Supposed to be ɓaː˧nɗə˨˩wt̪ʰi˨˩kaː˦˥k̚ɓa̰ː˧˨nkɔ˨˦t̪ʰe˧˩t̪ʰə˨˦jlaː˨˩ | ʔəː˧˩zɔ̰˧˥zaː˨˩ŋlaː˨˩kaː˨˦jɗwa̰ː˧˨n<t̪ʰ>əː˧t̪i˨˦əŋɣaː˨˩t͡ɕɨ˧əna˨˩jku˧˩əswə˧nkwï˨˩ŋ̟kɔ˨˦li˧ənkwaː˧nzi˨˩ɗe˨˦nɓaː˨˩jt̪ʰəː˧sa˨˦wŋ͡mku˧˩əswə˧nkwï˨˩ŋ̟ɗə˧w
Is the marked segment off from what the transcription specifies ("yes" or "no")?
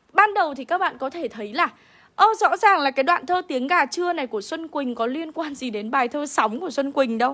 no